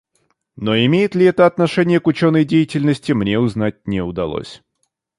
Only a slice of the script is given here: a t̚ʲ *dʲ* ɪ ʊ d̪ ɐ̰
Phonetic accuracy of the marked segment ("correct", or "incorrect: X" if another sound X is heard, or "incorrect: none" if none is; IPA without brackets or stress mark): incorrect: nʲ